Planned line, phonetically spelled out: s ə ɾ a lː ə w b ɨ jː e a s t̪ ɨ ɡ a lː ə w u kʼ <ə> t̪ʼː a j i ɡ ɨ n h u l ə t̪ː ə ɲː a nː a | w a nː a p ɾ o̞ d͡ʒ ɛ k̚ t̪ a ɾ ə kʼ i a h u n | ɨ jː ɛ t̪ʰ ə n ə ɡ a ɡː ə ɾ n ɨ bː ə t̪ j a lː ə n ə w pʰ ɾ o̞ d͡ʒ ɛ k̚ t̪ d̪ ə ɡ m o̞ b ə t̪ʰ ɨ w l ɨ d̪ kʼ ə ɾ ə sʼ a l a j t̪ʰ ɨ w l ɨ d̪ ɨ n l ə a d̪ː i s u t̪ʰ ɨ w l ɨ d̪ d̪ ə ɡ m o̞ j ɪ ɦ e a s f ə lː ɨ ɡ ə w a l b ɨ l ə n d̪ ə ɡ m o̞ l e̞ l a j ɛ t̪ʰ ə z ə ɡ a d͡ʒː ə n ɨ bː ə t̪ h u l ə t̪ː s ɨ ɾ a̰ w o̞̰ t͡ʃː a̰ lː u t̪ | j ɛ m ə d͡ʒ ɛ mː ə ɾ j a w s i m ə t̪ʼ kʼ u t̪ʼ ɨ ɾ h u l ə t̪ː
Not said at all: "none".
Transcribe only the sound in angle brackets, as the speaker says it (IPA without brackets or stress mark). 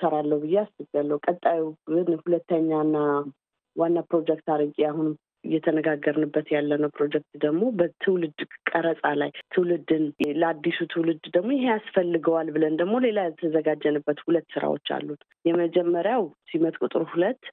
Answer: ə